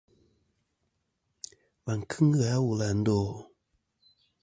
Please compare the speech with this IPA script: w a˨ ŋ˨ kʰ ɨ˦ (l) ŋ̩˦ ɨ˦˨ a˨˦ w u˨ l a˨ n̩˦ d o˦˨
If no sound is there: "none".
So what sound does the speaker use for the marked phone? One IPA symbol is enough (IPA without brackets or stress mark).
none